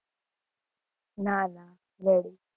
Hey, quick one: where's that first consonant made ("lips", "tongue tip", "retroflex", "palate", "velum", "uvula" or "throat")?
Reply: tongue tip